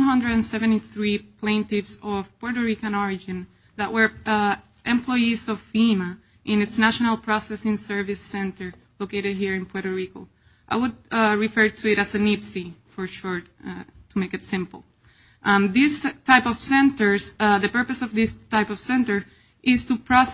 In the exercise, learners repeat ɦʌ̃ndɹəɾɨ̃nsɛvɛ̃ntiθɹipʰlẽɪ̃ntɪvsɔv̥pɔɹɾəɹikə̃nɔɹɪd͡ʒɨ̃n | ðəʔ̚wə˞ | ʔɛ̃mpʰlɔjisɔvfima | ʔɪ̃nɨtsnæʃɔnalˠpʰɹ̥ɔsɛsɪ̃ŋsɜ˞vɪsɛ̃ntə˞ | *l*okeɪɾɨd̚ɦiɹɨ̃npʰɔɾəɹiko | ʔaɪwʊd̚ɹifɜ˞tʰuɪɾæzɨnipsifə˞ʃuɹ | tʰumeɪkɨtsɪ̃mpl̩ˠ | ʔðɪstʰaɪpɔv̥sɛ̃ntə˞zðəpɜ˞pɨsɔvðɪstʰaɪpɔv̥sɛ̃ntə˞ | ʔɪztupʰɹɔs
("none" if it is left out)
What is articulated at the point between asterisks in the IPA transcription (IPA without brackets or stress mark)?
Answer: l